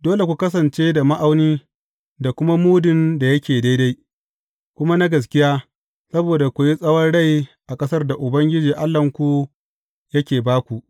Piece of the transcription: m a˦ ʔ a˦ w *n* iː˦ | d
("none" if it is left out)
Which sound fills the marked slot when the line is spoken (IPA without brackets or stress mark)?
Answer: n